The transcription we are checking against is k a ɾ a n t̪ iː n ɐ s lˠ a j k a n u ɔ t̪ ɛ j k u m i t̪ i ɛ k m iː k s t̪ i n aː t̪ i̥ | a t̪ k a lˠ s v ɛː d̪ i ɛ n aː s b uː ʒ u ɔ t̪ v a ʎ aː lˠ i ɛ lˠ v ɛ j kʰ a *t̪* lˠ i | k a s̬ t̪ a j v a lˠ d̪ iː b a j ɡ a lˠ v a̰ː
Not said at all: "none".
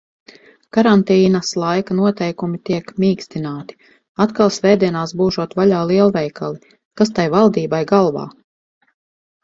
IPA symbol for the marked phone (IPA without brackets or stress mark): none